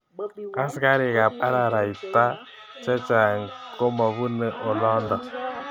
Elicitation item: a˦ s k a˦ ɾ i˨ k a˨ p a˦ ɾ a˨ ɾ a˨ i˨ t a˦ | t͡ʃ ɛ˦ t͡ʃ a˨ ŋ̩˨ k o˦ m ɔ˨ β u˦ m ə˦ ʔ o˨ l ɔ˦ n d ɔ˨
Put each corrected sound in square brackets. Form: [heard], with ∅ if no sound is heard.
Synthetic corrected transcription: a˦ s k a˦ ɾ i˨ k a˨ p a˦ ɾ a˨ ɾ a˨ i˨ t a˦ | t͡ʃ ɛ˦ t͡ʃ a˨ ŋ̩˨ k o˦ m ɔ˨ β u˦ [n] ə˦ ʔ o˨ l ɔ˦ n d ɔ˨